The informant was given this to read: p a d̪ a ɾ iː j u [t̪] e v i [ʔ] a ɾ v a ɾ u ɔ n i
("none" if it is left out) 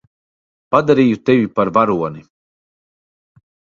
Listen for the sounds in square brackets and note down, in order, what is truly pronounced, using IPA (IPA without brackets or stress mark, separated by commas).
t̪, p